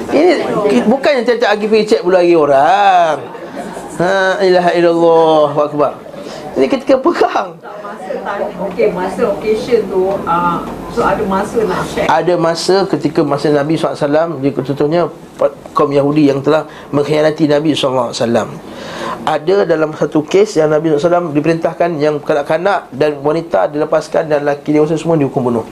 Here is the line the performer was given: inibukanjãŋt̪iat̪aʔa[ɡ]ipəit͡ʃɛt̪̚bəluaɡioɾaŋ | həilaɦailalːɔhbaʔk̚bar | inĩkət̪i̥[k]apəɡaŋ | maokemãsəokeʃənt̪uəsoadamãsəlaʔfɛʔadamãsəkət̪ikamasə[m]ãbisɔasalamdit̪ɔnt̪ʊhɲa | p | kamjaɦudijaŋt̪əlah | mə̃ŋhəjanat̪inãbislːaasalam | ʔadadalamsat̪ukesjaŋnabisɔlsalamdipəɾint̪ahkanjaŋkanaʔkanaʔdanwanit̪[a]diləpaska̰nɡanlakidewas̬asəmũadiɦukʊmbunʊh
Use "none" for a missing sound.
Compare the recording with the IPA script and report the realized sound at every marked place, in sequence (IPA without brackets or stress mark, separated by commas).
ɡ, k, n, a